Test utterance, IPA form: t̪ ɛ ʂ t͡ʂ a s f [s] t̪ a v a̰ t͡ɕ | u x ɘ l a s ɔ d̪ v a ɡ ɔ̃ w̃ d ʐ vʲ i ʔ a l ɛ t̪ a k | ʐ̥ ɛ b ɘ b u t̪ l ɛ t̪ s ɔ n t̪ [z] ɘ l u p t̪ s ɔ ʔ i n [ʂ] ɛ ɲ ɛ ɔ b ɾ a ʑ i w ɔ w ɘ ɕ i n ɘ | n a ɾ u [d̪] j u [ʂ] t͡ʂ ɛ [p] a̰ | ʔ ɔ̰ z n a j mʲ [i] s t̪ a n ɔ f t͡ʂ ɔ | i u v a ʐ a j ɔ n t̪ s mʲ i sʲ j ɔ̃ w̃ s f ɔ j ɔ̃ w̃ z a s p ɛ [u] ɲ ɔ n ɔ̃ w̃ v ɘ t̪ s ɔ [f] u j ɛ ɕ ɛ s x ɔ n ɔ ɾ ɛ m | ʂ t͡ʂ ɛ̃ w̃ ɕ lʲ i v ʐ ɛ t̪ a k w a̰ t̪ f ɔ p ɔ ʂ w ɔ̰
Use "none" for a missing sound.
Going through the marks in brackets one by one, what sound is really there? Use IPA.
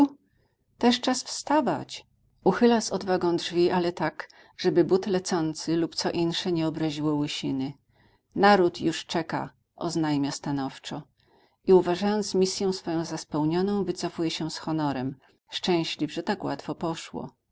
s, s, ʂ, t̪, ʂ, k, a, w, f

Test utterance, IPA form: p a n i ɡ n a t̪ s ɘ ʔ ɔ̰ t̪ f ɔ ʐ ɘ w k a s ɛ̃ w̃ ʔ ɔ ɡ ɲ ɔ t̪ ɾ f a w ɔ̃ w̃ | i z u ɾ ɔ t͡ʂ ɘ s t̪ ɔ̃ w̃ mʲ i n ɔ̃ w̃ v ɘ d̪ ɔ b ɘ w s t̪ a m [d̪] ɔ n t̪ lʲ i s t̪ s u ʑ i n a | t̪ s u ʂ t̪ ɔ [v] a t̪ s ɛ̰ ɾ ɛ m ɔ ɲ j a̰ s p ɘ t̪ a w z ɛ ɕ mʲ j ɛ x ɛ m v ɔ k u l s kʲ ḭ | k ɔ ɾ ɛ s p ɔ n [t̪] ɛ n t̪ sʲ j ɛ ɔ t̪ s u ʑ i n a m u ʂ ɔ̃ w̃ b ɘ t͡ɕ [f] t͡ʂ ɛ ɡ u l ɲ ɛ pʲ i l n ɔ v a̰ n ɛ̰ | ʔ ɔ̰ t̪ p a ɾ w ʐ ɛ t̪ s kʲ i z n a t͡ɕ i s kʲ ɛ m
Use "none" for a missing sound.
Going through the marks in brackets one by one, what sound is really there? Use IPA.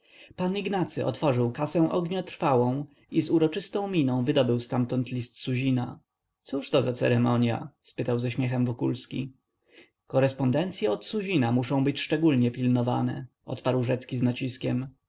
t̪, z, d̪, ʂ

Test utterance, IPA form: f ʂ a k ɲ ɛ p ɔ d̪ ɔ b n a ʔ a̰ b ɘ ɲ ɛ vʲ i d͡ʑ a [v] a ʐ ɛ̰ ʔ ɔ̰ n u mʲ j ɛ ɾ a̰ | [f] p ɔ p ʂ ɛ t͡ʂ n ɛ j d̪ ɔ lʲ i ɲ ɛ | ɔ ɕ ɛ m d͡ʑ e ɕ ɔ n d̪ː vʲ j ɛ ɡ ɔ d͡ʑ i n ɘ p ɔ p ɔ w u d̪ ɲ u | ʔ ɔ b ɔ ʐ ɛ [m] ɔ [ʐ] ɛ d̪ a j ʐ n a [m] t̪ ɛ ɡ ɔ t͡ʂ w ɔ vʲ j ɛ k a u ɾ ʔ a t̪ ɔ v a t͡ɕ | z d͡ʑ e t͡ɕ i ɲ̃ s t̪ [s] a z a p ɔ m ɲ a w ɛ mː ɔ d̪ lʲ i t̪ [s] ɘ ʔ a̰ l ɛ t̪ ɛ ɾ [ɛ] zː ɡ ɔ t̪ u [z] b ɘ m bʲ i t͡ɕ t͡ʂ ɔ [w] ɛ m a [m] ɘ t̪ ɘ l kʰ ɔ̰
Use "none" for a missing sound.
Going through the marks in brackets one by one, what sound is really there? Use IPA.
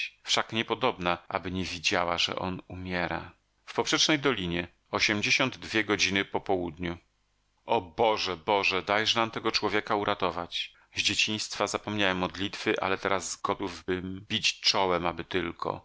w, f, b, ʐ, m, f, f, a, v, w, b

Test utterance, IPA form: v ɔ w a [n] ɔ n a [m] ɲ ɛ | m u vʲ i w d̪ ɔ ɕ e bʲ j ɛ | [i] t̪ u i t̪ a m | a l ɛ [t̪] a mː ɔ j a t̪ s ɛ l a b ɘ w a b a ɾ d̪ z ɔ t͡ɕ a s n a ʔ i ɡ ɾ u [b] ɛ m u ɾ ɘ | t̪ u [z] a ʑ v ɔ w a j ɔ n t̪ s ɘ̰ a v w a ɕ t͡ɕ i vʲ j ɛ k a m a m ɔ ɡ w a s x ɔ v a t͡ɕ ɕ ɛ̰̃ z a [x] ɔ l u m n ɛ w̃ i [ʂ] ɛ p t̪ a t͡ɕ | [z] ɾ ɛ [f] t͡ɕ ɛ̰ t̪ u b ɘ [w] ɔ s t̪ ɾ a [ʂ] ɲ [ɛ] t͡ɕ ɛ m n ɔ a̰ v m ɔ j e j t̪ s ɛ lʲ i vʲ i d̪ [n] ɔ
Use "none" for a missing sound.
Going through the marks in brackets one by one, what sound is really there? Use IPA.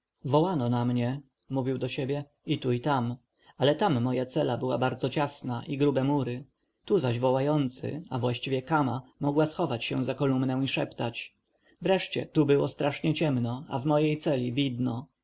n, m, i, t̪, b, z, k, ʂ, v, ʂ, w, ʂ, ɛ, n

